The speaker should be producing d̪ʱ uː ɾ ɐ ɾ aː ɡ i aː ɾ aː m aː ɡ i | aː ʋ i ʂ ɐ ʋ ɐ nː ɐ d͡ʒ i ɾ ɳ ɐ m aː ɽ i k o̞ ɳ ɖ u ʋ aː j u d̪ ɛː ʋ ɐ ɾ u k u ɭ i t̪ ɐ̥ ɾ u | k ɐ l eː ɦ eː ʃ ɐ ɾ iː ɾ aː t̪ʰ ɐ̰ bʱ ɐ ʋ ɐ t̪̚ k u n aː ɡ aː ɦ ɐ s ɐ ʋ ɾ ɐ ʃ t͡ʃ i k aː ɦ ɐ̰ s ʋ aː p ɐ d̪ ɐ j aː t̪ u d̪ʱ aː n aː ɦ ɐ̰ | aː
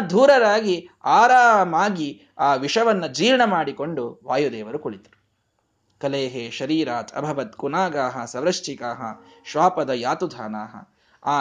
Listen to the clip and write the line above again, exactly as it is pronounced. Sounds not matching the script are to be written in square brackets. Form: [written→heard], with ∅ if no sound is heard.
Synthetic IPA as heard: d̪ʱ uː ɾ ɐ ɾ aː ɡ i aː ɾ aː m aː ɡ i | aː ʋ i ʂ ɐ ʋ ɐ nː ɐ d͡ʒ [i→iː] ɾ ɳ ɐ m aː ɽ i k o̞ ɳ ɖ u ʋ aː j u d̪ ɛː ʋ ɐ ɾ u k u ɭ i t̪ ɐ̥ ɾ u | k ɐ l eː ɦ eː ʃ ɐ ɾ iː ɾ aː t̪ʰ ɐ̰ bʱ ɐ ʋ ɐ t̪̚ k u n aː ɡ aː ɦ ɐ s ɐ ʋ ɾ ɐ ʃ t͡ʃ i k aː ɦ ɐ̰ [s→ʃ] ʋ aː p ɐ d̪ ɐ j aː t̪ u d̪ʱ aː n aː ɦ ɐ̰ | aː